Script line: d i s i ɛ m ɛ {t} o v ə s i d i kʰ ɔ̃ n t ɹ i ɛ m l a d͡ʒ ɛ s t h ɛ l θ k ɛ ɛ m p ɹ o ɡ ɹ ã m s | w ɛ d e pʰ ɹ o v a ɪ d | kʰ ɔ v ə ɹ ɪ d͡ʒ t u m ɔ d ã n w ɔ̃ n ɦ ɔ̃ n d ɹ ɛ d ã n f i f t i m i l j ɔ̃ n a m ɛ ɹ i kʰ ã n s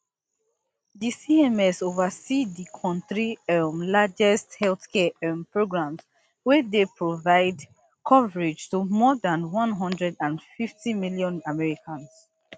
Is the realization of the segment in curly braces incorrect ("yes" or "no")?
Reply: yes